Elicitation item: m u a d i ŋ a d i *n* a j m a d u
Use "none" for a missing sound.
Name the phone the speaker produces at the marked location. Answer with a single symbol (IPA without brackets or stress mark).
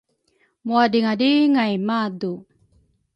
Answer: ŋ